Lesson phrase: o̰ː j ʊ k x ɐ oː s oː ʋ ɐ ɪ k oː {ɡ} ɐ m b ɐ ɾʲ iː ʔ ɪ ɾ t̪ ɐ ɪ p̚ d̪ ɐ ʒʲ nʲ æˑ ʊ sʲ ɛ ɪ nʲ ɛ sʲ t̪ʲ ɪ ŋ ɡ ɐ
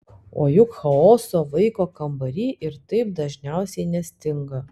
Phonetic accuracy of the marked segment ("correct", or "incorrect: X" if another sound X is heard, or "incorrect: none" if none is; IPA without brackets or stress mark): incorrect: k